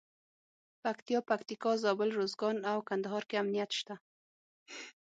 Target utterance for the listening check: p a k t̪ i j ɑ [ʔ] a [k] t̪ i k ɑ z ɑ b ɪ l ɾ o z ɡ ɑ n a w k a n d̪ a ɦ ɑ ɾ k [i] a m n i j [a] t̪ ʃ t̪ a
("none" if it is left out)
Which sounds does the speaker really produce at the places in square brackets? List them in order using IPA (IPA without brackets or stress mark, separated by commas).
p, k, e, a